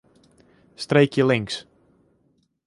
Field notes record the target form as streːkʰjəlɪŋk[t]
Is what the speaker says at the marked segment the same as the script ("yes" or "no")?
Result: no